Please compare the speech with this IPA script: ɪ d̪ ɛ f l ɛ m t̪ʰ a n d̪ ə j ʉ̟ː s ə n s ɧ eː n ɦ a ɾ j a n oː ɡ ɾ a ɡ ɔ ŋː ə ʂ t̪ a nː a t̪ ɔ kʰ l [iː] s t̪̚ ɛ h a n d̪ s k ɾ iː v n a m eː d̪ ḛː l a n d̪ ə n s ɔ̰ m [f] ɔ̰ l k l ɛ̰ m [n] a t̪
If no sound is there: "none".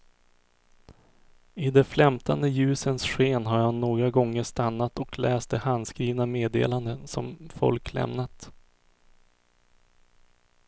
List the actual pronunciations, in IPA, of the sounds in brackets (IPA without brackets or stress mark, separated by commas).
ɛː, f, n